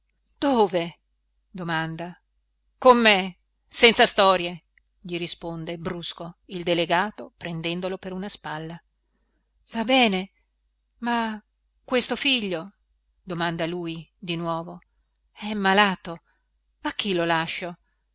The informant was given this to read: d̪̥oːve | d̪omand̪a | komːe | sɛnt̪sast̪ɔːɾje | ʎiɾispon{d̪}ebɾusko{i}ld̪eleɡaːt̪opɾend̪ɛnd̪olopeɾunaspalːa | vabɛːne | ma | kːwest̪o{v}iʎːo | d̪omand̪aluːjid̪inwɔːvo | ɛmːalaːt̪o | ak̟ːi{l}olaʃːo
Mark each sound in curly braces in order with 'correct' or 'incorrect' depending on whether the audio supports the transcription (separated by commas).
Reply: correct, correct, incorrect, correct